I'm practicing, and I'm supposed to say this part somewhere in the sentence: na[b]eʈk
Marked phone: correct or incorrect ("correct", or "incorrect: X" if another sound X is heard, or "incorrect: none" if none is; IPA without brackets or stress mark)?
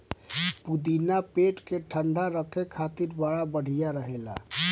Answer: incorrect: p